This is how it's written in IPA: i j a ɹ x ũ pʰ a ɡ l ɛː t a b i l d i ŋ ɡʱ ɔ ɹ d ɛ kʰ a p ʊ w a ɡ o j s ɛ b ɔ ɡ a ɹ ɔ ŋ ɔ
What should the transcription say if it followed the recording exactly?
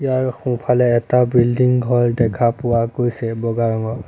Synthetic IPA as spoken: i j a ɹ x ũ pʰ a l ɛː t a b i l d i ŋ ɡʱ ɔ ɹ d ɛ kʰ a p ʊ w a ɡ o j s ɛ b ɔ ɡ a ɹ ɔ ŋ ɔ